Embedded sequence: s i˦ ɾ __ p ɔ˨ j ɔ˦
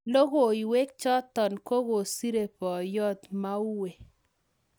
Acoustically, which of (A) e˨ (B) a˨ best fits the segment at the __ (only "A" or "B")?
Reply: A